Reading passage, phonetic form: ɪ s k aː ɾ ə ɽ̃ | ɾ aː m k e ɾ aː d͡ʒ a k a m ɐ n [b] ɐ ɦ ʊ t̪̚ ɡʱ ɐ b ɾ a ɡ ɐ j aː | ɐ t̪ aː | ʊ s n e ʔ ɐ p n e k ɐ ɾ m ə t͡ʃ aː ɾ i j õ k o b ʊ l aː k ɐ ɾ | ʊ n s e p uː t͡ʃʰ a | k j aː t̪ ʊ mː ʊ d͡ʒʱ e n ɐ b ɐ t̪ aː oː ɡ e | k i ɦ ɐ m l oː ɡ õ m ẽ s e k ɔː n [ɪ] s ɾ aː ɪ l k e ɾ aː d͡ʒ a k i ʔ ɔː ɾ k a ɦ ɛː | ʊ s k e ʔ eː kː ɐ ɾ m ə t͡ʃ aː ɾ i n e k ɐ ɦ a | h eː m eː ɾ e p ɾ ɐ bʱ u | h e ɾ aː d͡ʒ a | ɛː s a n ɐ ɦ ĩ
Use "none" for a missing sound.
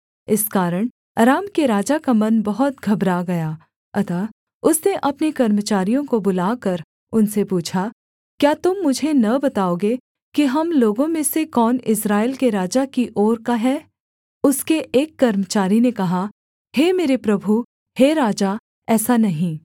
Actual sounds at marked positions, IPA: b, ɪ

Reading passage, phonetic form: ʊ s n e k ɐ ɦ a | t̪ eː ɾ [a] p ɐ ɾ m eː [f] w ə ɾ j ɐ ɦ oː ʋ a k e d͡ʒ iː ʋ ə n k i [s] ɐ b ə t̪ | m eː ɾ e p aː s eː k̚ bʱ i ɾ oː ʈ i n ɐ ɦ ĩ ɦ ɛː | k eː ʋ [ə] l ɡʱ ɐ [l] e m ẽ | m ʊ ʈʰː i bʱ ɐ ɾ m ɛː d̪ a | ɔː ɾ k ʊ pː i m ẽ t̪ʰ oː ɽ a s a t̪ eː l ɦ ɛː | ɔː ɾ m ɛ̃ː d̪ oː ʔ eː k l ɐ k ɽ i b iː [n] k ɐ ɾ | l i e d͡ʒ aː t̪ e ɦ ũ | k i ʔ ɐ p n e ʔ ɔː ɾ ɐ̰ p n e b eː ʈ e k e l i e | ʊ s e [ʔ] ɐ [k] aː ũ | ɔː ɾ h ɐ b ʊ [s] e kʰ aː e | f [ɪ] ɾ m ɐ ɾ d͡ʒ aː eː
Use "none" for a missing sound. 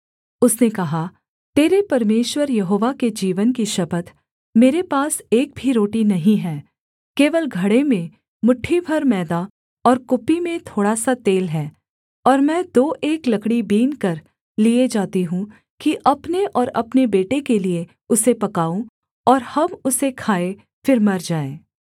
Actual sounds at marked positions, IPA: e, ʃ, ʃ, ə, ɽ, n, p, k, s, ɪ

